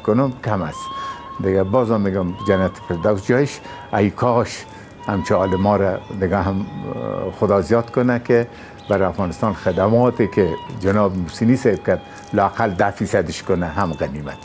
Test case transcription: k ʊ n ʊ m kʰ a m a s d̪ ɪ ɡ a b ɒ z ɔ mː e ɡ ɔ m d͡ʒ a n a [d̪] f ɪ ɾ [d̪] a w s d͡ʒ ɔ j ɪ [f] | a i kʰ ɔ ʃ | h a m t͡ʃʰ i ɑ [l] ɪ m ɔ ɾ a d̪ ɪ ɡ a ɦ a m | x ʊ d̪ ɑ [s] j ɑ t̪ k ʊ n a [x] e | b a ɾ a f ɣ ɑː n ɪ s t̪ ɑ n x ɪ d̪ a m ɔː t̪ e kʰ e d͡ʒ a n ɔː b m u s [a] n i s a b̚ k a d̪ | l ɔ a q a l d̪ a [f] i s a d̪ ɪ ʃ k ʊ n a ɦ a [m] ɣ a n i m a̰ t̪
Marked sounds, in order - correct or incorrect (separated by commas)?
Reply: incorrect, correct, incorrect, correct, incorrect, incorrect, incorrect, correct, correct